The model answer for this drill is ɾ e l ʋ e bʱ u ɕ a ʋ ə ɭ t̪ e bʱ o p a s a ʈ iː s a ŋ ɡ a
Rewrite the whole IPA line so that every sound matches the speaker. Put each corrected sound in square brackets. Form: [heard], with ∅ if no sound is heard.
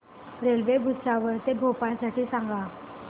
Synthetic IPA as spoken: ɾ e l ʋ e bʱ u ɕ a ʋ ə [ɾ] t̪ e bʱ o p a s a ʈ iː s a ŋ ɡ a